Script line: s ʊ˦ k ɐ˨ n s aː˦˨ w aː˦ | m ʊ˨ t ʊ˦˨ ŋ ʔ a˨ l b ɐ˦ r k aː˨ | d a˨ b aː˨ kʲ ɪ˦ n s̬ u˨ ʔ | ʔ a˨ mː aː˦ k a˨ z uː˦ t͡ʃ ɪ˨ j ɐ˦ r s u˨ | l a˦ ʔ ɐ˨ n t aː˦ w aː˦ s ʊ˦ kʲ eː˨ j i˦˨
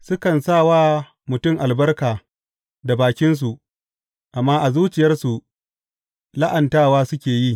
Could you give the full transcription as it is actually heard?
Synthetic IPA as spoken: s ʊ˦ k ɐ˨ n s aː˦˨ w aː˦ | m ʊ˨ t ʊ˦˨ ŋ ʔ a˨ l b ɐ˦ r k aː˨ | d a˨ b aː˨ kʲ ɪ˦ n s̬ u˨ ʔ | ʔ a˨ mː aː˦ ʔ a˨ z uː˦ t͡ʃ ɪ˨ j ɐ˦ r s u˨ | l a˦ ʔ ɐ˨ n t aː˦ w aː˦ s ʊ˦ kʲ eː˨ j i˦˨

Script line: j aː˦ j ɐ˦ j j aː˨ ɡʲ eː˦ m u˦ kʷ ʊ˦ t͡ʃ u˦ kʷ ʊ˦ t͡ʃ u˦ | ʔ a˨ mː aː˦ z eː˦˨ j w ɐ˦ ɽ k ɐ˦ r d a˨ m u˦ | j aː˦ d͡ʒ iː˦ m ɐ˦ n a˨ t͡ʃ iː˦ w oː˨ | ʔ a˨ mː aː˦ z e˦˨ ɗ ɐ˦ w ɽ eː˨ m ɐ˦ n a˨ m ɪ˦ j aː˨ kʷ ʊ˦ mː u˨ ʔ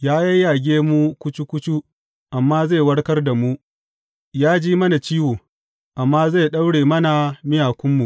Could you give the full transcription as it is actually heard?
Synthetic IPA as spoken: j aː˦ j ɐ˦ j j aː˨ ɡʲ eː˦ m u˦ kʷ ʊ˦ t͡ʃ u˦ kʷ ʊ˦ t͡ʃ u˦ | ʔ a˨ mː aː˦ z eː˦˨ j w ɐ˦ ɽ k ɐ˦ r d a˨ m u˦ | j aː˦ d͡ʒ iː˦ m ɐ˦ n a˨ t͡ʃ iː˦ w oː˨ | ʔ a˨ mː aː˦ z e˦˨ ɗ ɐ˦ w ɽ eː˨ m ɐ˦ n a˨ m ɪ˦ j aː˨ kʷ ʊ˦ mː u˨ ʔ

